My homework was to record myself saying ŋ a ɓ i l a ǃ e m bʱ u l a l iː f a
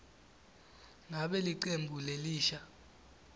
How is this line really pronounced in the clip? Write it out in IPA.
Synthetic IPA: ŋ a ɓ ɛ l i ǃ e m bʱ u l e l iː ʃ a